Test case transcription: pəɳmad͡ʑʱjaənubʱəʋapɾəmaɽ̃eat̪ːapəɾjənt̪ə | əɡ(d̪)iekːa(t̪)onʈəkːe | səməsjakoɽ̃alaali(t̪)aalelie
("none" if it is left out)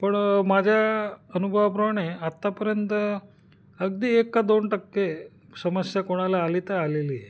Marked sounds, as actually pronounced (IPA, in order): d̪, d̪, t̪

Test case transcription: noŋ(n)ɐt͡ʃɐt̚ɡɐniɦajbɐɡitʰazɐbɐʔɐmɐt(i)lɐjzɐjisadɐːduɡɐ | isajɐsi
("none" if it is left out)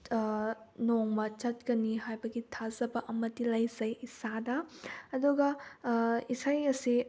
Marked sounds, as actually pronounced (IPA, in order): m, i

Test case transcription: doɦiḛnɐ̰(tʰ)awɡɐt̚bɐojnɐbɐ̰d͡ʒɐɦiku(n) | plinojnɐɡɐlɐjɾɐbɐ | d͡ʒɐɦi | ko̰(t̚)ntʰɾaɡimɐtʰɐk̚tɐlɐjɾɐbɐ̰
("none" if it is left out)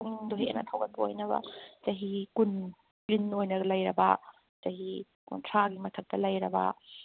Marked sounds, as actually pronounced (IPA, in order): tʰ, n, none

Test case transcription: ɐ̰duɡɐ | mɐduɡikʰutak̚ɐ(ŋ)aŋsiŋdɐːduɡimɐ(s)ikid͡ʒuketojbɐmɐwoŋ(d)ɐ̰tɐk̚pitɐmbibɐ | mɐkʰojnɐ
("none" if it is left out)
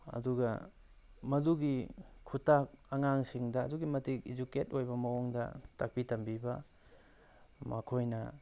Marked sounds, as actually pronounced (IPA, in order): ŋ, t, d

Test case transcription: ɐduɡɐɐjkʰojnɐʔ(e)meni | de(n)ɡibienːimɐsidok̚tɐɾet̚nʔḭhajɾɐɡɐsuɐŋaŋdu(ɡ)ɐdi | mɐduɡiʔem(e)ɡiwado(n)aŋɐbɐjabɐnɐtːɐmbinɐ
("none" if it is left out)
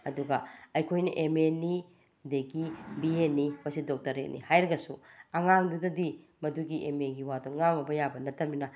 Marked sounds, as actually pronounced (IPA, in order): e, none, d, e, ŋ

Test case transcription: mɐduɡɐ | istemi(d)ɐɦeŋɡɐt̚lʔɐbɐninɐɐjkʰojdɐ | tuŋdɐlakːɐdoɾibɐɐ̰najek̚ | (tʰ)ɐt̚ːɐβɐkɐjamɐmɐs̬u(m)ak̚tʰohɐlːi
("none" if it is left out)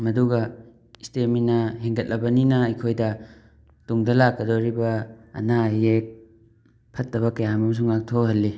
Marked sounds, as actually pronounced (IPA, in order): n, pʰ, ŋ

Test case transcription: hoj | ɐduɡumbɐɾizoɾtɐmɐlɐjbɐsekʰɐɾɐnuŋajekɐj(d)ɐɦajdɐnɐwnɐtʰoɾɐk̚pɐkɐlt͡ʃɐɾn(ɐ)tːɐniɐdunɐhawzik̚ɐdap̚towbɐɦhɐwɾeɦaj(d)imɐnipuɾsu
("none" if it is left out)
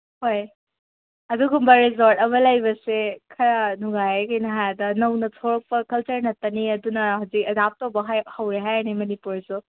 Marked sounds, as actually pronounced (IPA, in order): n, ɐ, n

